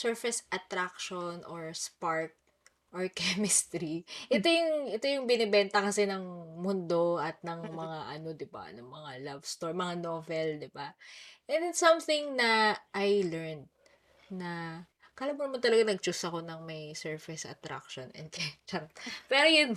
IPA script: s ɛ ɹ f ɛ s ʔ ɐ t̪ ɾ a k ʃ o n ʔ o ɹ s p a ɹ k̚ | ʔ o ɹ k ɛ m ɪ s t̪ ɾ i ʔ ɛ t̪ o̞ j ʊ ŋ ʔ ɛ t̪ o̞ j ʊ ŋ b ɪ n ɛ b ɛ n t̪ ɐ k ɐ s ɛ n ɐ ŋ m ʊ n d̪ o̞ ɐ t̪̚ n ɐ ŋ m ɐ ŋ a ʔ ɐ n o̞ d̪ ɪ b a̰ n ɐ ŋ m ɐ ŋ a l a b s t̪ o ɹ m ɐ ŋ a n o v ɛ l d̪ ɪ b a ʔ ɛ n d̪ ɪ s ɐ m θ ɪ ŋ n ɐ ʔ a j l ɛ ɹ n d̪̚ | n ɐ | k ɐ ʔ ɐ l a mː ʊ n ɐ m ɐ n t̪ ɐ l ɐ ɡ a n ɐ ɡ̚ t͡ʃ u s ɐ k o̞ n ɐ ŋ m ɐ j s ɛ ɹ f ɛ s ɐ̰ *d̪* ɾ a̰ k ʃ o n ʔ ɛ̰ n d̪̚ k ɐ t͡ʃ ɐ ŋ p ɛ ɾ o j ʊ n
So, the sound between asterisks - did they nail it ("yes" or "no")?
no